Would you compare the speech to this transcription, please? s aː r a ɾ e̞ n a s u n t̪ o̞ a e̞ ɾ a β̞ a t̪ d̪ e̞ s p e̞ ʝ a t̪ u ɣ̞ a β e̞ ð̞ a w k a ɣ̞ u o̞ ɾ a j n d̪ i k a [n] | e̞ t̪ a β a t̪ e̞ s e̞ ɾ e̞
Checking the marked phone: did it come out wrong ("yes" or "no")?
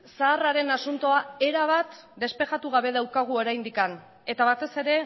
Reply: no